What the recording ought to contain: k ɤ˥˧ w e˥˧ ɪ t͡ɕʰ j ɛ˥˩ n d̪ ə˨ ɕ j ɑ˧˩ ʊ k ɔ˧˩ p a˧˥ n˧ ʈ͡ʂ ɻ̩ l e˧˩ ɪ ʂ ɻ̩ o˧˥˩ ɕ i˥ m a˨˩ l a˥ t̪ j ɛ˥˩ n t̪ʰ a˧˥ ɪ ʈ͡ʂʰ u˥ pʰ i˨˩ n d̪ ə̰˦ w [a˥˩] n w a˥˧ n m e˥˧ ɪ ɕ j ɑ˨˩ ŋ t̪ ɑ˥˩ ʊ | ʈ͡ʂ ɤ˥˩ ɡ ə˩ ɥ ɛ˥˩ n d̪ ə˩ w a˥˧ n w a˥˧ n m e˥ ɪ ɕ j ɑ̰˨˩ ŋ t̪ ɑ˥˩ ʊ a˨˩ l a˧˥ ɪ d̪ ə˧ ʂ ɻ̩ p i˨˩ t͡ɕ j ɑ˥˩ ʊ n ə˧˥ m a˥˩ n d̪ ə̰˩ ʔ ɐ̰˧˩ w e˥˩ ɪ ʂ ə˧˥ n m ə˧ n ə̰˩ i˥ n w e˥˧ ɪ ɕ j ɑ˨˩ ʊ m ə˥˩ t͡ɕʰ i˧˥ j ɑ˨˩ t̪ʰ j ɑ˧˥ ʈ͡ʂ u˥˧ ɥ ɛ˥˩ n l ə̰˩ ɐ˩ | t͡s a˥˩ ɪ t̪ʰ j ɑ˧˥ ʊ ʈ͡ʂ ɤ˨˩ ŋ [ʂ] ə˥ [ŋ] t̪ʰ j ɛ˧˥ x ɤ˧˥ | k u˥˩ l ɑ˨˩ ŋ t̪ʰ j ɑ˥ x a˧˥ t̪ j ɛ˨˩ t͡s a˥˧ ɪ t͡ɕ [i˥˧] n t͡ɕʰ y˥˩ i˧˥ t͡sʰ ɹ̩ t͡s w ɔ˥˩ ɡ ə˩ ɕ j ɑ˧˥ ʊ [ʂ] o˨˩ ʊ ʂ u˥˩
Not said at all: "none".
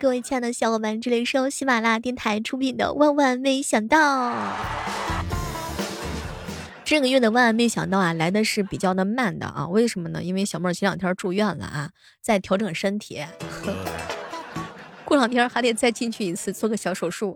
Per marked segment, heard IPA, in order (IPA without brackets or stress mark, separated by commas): a˥˧, ʂ, n, i˥˧, ʂ